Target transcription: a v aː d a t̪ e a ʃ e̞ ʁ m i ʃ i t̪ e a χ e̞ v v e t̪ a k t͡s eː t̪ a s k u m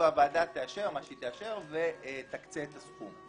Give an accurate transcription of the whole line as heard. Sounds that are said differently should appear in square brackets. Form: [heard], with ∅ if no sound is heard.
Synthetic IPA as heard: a v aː d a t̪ e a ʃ e̞ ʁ m [a] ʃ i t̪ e a [ʃ] e̞ [ʁ] v e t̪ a k t͡s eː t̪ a s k u m